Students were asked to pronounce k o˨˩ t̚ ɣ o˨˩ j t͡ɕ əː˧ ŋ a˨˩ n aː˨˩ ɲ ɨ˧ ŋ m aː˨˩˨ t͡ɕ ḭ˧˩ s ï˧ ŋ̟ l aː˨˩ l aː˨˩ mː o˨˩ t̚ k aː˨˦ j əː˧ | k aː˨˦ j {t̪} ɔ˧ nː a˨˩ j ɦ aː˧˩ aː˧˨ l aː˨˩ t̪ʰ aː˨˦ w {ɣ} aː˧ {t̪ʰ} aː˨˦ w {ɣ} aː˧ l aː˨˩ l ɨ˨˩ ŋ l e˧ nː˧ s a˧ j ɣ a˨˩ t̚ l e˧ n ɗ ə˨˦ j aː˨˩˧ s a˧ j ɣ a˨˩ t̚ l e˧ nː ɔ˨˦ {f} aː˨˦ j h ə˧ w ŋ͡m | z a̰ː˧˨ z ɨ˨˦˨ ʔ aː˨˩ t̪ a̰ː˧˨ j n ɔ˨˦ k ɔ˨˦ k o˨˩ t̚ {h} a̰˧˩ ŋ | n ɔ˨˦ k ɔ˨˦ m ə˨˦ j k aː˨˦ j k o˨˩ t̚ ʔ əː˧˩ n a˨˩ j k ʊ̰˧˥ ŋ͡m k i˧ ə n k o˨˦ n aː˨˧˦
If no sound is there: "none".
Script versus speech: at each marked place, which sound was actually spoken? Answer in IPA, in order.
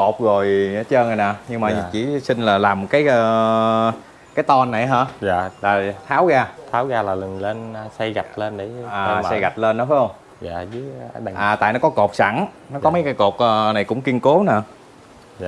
t̪, ɣ, t̪ʰ, ɣ, f, s

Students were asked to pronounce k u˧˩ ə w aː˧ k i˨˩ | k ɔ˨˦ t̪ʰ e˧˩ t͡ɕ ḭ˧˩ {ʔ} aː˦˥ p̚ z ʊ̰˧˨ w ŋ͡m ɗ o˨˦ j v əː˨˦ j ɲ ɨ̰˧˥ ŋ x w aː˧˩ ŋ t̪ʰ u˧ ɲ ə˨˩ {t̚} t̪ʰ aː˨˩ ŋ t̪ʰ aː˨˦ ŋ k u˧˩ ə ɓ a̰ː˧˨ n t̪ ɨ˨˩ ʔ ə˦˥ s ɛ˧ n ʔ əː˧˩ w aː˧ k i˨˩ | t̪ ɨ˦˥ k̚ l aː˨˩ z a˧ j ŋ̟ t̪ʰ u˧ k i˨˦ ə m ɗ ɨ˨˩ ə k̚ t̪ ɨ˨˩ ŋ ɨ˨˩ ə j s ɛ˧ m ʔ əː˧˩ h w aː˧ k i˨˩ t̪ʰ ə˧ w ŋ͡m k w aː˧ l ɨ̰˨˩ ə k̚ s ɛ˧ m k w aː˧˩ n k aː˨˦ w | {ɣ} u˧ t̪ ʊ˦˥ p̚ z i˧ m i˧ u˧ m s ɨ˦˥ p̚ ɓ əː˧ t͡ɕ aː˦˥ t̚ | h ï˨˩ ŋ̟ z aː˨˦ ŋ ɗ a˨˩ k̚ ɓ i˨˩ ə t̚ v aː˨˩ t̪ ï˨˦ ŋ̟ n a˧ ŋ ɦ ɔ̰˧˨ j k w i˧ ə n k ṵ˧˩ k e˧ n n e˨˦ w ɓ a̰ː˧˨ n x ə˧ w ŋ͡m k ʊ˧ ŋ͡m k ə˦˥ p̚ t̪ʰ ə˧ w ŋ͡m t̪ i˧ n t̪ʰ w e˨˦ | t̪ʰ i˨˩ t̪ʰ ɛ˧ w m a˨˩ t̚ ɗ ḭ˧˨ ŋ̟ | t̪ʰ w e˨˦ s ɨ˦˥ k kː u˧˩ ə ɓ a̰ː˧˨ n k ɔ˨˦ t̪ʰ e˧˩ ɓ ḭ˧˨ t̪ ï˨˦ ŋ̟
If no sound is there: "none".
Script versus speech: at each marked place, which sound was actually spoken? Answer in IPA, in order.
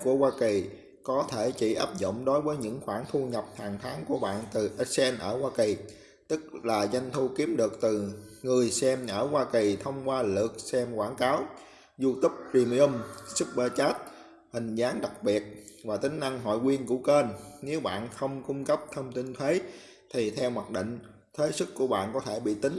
ʔ, p̚, z

